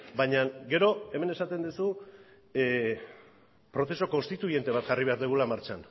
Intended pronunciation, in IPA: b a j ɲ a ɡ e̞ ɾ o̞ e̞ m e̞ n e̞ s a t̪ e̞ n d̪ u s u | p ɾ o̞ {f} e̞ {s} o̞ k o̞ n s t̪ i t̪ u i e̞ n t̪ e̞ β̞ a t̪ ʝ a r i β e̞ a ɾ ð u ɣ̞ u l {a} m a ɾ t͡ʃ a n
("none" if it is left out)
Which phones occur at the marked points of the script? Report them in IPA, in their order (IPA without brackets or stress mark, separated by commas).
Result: θ, s, a